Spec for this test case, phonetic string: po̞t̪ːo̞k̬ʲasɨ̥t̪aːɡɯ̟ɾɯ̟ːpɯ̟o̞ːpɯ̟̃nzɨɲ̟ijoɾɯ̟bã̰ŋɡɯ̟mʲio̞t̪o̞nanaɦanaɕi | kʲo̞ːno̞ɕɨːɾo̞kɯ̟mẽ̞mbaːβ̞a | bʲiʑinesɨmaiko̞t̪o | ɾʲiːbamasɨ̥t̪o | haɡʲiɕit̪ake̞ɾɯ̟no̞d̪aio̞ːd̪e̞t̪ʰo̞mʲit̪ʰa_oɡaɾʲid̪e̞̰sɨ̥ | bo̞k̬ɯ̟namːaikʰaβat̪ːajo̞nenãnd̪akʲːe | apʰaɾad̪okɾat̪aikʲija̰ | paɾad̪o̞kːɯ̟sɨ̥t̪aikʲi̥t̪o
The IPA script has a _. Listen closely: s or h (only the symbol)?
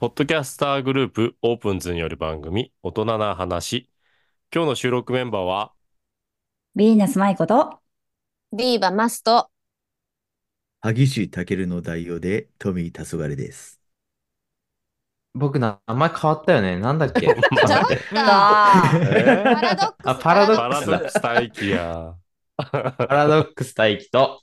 s